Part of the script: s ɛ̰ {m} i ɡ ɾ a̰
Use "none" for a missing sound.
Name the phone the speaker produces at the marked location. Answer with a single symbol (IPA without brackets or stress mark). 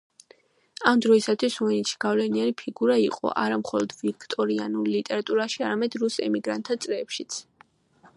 m